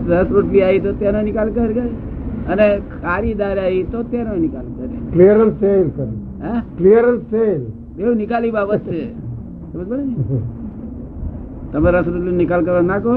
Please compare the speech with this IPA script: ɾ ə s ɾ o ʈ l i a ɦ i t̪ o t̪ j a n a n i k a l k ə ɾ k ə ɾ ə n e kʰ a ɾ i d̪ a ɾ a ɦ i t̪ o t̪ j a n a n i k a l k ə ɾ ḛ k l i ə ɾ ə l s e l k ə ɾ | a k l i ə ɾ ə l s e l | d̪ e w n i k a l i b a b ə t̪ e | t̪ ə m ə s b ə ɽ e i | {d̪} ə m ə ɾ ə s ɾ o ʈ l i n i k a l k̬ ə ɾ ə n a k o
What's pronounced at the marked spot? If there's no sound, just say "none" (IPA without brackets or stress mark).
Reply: t̪